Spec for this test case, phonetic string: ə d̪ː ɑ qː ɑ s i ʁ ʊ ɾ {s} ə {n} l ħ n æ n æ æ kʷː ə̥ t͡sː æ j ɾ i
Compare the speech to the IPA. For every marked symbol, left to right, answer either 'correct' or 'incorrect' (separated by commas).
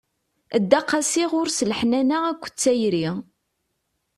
correct, incorrect